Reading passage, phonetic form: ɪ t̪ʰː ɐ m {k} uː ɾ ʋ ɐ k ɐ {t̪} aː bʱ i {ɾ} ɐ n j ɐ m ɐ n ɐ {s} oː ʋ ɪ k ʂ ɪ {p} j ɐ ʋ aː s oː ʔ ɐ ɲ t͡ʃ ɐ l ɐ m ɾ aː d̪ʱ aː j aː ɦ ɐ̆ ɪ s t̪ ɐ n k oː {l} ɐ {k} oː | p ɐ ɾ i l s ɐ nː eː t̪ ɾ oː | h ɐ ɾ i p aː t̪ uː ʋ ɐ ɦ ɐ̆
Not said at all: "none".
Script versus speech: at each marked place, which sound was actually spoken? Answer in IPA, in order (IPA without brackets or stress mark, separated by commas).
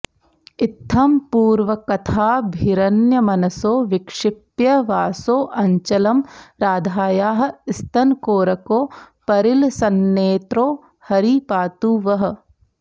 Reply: p, t̪ʰ, ɾ, s, p, ɾ, k